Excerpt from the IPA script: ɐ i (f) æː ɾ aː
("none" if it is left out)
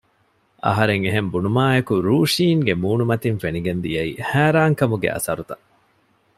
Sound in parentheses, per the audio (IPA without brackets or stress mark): h